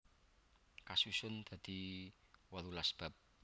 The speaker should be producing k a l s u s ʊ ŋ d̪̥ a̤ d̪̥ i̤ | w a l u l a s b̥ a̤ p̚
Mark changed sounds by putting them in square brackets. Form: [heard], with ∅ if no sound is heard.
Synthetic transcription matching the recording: k a [∅] s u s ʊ [n] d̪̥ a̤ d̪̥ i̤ | w a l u l a s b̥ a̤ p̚